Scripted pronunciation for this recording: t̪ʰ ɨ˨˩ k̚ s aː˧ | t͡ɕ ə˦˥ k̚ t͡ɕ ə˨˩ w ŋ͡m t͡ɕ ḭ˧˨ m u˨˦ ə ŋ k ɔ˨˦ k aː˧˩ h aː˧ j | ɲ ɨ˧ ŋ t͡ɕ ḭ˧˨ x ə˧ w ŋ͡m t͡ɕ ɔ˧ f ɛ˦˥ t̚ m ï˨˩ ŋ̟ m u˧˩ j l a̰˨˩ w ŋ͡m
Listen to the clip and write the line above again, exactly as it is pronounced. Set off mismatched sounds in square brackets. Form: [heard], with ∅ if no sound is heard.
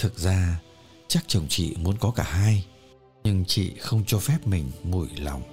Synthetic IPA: t̪ʰ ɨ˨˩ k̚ [z] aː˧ | t͡ɕ [a˦˥] k̚ t͡ɕ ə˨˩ w ŋ͡m t͡ɕ ḭ˧˨ m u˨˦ ə [n] k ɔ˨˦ k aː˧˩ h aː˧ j | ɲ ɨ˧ ŋ t͡ɕ ḭ˧˨ x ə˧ w ŋ͡m t͡ɕ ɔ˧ f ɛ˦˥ [p̚] m ï˨˩ ŋ̟ m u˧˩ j l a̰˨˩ w ŋ͡m